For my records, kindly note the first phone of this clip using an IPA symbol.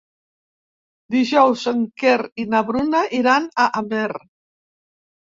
d̪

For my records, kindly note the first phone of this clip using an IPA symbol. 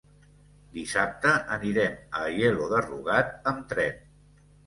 d̪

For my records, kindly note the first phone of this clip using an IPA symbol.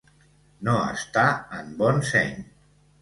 n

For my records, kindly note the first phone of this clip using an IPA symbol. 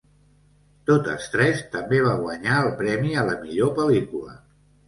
t̪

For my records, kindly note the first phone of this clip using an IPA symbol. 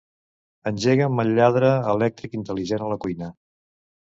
ə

